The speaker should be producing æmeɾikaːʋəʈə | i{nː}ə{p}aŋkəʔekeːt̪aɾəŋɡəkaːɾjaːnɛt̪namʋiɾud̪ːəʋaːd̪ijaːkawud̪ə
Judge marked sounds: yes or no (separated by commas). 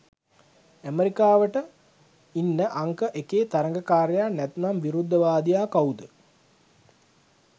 yes, no